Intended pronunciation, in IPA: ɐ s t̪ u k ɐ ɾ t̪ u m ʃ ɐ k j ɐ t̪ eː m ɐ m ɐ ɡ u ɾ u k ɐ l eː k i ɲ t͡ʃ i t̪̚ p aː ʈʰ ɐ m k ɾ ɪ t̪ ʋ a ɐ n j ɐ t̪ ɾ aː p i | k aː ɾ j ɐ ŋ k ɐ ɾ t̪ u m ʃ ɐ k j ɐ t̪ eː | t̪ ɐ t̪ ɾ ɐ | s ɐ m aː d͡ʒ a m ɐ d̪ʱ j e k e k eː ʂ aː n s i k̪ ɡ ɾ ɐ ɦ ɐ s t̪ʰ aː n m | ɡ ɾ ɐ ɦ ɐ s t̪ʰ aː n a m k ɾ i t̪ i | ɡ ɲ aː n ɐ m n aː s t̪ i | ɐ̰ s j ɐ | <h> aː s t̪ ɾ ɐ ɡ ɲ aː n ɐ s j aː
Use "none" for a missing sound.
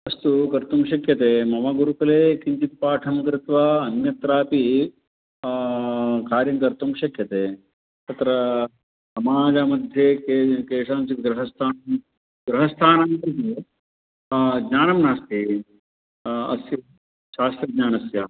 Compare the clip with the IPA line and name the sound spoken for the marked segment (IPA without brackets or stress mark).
ʃ